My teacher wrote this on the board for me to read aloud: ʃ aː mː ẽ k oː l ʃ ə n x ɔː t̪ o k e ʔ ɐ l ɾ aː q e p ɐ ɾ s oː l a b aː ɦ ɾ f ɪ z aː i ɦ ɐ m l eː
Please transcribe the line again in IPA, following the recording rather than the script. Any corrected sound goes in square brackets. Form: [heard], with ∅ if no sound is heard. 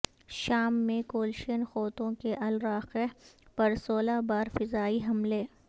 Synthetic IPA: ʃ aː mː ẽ k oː l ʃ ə n x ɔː t̪ [õ] k e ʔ ɐ l ɾ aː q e p ɐ ɾ s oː l a b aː [∅] ɾ f ɪ z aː i ɦ ɐ m l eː